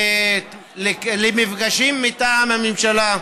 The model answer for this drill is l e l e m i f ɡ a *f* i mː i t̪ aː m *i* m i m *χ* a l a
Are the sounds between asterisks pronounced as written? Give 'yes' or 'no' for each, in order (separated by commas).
no, no, no